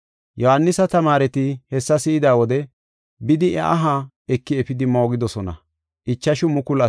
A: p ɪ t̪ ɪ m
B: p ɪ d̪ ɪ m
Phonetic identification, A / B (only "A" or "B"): B